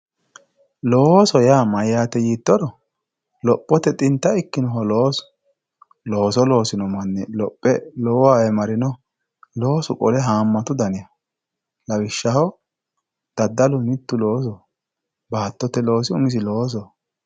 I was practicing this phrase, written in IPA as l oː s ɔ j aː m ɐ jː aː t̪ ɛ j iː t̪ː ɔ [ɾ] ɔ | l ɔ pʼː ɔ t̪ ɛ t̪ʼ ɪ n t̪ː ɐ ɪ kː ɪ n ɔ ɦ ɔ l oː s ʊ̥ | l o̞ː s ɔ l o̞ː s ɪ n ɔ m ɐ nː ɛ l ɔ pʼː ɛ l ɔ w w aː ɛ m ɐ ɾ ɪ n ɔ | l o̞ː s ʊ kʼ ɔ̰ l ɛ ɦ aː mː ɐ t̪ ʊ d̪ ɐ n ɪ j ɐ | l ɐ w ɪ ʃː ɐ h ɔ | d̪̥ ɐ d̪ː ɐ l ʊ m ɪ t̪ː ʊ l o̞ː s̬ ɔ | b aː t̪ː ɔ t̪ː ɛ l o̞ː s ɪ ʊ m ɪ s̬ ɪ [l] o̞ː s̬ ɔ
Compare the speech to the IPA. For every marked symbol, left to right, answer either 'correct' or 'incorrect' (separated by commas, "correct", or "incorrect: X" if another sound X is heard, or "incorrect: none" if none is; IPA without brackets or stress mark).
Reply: correct, correct